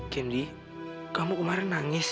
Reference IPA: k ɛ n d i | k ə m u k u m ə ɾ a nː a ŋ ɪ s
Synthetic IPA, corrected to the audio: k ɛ n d i | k a m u k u m a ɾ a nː a ŋ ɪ s